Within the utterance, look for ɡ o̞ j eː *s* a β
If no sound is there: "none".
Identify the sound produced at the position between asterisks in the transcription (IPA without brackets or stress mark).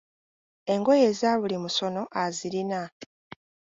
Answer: z